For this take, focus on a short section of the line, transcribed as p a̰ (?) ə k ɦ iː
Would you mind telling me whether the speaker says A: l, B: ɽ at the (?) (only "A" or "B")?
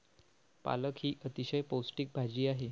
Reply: A